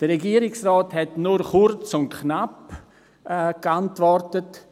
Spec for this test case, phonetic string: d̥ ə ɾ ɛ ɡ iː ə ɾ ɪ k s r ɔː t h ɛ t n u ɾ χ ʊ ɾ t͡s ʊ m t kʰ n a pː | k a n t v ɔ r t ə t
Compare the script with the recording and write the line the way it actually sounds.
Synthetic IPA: d̥ ə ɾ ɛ ɡ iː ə ɾ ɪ k s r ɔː t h ɛ t n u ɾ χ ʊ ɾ t͡s ʊ n t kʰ n a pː | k a n t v ɔ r t ə t